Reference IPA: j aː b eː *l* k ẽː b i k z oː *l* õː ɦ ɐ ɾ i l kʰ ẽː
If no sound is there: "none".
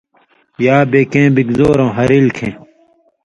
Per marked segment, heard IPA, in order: none, ɾ

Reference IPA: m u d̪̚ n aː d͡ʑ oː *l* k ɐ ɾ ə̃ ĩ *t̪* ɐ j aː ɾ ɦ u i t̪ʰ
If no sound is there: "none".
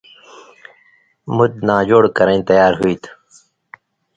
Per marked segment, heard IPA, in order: ɽ, t̪

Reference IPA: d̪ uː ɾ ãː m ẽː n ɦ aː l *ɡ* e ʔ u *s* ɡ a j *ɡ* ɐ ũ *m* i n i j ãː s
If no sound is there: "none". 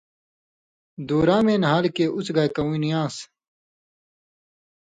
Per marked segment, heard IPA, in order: k, t͡s, k, none

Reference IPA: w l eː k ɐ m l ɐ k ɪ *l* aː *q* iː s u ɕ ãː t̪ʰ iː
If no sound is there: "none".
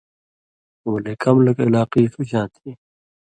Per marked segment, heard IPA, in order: l, q

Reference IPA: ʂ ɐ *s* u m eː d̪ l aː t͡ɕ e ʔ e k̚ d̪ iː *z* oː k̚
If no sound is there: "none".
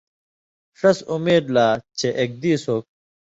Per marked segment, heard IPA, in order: s, s

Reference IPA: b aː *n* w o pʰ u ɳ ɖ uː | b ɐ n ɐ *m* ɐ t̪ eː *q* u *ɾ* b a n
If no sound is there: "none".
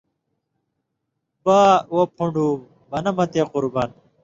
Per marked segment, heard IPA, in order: none, m, q, ɾ

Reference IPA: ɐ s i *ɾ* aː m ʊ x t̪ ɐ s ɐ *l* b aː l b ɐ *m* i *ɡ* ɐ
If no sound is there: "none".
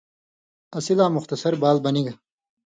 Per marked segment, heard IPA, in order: l, ɾ, n, ɡ

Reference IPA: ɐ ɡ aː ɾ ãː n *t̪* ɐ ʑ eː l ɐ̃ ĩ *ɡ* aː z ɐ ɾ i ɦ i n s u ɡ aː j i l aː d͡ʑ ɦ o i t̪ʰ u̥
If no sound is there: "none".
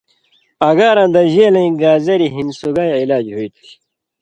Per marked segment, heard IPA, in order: d̪, ɡ

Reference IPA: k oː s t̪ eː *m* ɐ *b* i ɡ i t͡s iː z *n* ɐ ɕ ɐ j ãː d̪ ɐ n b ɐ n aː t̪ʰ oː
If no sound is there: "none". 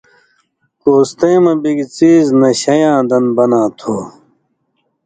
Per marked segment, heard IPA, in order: m, b, n

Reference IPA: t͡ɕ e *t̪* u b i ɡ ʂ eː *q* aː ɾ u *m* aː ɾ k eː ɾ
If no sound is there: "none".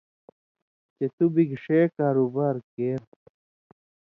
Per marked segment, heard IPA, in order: t̪, k, b

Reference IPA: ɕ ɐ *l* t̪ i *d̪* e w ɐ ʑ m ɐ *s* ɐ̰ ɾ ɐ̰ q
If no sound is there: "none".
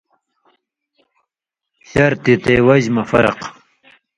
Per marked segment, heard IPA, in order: ɾ, t̪, f

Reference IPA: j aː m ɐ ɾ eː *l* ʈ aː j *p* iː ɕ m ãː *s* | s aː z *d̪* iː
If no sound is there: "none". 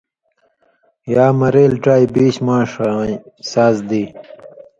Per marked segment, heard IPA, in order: l, b, ʂ, d̪

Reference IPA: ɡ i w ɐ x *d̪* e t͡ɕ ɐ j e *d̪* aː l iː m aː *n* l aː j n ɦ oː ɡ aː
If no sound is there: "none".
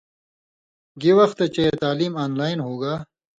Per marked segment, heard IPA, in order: t̪, t̪, n

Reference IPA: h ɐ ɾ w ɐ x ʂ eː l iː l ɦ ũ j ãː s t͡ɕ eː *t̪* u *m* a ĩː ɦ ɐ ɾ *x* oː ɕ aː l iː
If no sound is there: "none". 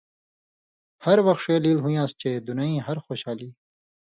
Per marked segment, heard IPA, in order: d̪, n, x

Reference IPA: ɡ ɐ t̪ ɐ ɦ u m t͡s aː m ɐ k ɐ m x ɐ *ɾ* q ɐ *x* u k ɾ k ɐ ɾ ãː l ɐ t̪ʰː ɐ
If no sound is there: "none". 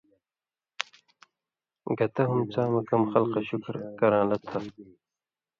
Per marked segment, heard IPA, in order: l, ɕ

